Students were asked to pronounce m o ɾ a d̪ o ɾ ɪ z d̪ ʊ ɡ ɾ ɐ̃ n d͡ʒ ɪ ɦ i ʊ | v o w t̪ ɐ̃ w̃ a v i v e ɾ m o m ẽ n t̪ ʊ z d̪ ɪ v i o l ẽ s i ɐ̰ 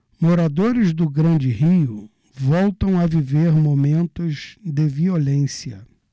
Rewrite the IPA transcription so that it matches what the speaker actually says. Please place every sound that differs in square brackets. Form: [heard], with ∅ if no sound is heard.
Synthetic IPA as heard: m o ɾ a d̪ o ɾ ɪ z d̪ ʊ ɡ ɾ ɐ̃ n d͡ʒ ɪ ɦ i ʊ | v [ɔ] w t̪ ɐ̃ w̃ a v i v e ɾ m o m ẽ n t̪ ʊ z d̪ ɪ v i o l ẽ s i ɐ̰